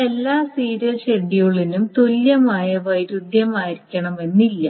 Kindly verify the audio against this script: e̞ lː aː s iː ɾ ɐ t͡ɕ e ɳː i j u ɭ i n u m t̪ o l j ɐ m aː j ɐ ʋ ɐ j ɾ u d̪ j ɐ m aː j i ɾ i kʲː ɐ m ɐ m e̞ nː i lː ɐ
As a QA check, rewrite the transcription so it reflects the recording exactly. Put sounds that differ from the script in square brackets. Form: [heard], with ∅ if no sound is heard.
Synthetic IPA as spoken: e̞ lː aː s iː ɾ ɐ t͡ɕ e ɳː i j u ɭ i n u m t̪ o l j ɐ m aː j ɐ ʋ ɐ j ɾ u d̪ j ɐ m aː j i ɾ i kʲː ɐ [ɳ] ɐ m e̞ nː i lː ɐ